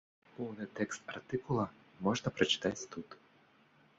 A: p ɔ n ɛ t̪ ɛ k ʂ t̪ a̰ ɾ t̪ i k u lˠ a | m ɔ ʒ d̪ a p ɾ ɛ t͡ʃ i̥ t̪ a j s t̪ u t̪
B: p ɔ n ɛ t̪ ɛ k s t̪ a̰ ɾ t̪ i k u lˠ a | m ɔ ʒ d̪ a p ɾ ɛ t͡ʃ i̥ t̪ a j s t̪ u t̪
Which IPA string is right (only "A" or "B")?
B